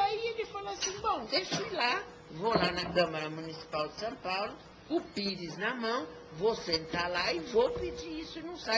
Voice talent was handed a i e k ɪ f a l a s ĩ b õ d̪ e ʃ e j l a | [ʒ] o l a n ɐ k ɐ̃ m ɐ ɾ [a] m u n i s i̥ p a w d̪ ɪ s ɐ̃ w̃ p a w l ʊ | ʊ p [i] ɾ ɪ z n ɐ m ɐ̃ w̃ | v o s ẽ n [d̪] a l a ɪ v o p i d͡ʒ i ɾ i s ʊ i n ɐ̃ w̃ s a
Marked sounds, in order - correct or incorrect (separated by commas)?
incorrect, incorrect, correct, incorrect